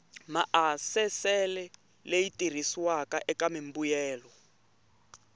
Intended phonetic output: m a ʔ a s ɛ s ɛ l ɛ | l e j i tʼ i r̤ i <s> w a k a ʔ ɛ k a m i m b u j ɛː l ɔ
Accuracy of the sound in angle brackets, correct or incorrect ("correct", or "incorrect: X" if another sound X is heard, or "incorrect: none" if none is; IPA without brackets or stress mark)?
correct